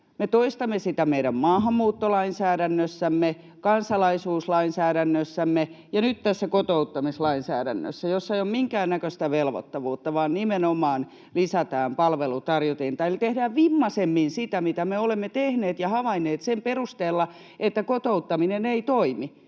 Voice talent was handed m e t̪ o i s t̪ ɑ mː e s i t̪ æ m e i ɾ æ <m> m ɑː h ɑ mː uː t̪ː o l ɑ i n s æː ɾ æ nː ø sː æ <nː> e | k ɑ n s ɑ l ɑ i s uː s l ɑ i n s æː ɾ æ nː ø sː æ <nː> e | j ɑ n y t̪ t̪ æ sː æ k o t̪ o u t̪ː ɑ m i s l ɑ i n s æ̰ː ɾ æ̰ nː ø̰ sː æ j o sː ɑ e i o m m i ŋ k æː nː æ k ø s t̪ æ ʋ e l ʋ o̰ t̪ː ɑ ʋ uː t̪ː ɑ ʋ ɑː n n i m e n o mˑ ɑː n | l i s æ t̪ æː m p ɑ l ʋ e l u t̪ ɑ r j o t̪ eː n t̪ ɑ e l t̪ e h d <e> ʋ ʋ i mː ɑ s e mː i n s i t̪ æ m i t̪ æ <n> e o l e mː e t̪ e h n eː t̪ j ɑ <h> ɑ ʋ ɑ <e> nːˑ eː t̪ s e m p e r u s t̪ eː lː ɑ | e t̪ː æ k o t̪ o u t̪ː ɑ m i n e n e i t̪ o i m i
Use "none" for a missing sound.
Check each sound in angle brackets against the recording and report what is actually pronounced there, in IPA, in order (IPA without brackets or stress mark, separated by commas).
m, mː, mː, æ, m, h, i